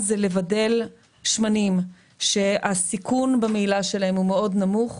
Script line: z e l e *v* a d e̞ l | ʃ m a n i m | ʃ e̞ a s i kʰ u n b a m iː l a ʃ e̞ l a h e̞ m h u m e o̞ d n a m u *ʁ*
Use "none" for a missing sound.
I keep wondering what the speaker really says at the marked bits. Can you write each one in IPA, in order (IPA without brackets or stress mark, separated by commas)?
v, χ